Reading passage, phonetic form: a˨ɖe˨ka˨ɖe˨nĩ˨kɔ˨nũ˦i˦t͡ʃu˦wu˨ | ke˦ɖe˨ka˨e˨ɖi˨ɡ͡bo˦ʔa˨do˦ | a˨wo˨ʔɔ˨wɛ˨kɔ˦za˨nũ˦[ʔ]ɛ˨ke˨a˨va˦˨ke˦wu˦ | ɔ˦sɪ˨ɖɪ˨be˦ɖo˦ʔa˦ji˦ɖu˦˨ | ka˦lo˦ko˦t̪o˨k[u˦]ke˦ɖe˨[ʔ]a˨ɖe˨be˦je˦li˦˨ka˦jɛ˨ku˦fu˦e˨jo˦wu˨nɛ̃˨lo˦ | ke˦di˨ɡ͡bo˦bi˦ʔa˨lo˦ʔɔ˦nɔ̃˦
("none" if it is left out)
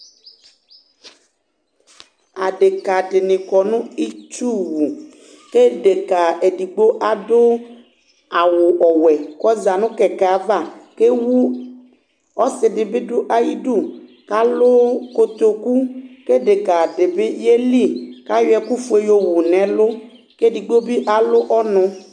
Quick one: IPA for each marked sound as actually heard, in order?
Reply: k, u˦, k

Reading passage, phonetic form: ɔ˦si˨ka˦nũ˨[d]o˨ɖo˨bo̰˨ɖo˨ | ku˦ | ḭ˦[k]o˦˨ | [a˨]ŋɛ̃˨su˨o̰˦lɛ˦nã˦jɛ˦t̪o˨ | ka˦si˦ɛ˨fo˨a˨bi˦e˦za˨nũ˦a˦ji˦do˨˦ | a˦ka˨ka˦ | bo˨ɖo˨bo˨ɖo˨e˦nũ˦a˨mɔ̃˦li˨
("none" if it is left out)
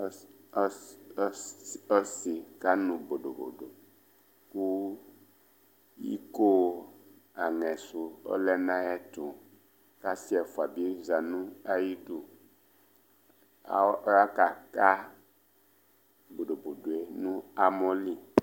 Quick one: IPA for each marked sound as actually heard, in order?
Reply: b, k, a˨

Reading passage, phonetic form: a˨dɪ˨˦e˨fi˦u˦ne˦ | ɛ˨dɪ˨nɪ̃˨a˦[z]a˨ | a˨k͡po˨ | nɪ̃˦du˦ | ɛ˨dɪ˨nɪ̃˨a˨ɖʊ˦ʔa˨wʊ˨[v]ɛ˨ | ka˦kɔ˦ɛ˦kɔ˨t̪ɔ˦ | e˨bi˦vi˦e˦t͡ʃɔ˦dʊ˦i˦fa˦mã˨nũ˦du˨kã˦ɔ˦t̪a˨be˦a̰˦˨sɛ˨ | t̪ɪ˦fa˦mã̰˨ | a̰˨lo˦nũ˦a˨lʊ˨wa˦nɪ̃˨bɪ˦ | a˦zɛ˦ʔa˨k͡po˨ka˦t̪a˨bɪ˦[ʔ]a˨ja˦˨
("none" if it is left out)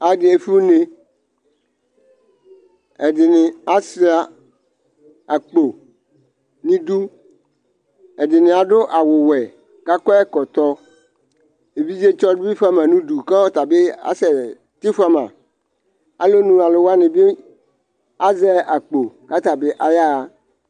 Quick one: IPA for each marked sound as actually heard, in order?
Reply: s, w, ʔ

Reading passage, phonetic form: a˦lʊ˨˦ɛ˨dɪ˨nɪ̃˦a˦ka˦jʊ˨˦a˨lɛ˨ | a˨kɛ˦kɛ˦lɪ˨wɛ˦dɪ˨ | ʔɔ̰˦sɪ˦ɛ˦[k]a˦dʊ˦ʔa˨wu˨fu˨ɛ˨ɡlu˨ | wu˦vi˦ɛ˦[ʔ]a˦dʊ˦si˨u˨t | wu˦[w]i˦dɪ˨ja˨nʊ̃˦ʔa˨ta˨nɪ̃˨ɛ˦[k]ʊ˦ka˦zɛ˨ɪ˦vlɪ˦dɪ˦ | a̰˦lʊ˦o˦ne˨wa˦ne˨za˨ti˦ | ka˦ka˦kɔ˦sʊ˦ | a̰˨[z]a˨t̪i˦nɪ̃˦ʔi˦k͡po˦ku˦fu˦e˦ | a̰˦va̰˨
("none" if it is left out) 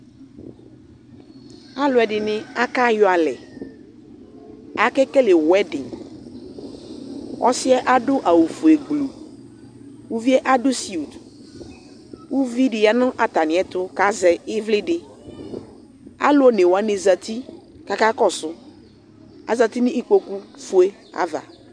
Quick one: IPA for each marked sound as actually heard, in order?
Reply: ʔ, ʔ, v, t, z

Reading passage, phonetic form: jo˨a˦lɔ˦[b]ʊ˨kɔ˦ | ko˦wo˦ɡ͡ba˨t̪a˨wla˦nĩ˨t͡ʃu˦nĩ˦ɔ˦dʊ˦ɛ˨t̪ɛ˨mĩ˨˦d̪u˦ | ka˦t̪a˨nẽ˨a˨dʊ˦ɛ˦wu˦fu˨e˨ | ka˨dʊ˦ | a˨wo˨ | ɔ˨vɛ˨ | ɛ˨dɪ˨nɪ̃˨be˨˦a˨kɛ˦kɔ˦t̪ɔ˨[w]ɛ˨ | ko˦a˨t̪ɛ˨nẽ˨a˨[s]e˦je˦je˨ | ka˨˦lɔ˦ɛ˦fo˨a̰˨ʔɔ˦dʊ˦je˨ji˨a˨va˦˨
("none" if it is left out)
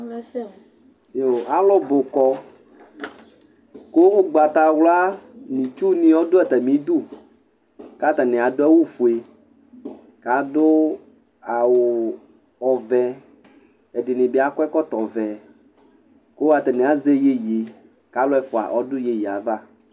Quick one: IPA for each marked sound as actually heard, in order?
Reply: b, v, z

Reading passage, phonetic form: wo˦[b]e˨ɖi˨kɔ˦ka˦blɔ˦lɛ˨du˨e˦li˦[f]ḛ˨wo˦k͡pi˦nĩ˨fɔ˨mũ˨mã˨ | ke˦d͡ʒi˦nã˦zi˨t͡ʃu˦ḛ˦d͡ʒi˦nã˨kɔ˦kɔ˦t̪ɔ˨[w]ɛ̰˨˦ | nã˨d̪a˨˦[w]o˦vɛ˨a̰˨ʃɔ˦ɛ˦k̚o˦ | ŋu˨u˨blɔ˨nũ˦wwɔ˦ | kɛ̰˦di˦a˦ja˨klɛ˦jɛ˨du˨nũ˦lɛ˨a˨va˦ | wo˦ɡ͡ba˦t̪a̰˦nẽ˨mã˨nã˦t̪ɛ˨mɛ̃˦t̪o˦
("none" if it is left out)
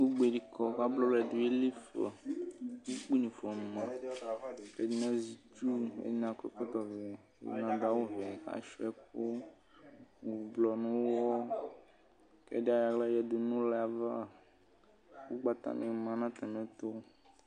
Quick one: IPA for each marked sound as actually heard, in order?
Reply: ɡ͡b, f, v, w

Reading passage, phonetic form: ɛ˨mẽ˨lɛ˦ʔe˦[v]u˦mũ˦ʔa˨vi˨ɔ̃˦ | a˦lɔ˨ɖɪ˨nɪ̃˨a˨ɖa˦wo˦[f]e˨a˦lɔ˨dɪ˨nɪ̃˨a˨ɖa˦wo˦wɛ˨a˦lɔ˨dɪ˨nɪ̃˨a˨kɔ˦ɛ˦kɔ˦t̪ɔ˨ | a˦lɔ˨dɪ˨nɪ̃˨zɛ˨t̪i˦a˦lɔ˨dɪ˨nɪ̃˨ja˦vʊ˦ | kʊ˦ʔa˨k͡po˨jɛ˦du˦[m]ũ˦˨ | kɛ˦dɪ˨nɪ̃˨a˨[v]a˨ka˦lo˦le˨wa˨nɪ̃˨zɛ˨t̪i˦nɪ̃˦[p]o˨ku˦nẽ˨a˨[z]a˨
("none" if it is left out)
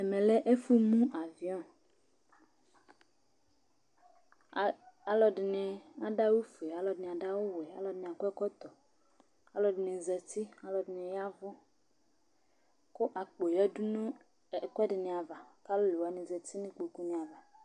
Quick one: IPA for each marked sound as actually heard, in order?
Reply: f, f, n, v, k͡p, v

